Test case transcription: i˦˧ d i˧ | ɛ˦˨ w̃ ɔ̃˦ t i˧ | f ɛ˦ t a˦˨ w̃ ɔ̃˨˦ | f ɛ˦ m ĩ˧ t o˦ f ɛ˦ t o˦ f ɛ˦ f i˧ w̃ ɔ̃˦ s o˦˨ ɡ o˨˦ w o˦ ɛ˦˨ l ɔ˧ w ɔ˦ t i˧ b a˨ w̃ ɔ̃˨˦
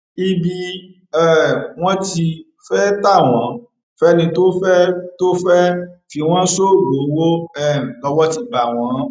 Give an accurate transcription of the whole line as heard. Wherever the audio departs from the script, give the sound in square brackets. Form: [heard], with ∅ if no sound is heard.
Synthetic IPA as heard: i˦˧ [b] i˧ | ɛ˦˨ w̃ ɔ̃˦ t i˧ | f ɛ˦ t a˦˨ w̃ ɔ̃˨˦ | f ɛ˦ [n] ĩ˧ t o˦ f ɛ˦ t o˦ f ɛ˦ f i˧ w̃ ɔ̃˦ s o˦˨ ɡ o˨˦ w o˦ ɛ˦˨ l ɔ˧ w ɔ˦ t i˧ b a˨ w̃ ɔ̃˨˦